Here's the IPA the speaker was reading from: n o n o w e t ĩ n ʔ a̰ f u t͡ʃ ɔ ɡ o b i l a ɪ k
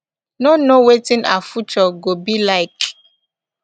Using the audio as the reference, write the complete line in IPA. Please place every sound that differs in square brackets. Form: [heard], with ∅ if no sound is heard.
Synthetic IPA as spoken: n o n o w e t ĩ n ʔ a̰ f u t͡ʃ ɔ ɡ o b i l a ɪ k